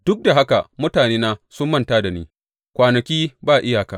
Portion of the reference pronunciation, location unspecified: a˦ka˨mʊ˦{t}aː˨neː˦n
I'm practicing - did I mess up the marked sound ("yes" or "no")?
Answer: no